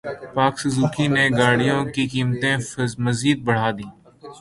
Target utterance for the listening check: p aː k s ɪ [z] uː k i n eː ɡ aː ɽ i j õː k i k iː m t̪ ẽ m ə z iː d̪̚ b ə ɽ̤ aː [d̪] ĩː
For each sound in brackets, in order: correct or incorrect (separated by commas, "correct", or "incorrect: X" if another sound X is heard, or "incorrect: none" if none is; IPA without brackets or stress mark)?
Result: correct, correct